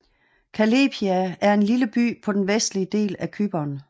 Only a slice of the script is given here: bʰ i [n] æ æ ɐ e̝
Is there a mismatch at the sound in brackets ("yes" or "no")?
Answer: yes